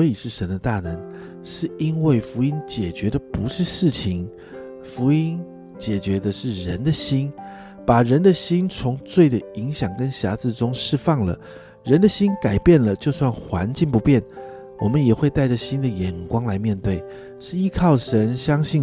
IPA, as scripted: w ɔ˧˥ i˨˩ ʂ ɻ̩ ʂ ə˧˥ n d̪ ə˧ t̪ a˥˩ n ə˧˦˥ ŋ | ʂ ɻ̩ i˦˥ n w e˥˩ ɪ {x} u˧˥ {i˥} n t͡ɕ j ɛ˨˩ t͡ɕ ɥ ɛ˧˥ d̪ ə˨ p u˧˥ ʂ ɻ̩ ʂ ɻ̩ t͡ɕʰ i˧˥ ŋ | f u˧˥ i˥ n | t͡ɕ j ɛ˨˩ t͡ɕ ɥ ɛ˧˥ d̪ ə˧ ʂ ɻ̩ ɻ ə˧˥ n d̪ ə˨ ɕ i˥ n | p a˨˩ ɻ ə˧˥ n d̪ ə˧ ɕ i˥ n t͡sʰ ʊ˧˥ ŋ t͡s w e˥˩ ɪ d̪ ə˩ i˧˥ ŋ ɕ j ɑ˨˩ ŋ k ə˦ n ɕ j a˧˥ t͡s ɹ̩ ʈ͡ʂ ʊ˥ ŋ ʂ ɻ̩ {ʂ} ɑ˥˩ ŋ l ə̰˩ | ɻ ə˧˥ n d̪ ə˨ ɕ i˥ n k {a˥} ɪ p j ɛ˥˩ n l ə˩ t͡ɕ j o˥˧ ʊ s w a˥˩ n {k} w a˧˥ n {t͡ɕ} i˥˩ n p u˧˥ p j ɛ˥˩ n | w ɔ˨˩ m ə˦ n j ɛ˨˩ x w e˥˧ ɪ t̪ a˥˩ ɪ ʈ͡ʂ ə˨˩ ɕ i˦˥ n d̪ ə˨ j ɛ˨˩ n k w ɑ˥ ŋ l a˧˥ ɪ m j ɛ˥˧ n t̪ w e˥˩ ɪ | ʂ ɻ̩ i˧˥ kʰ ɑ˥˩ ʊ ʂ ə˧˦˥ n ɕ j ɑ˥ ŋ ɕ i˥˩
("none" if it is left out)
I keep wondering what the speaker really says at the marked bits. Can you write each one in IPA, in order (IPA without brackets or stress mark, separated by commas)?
f, i˥, f, a˨˩, x, t͡ɕ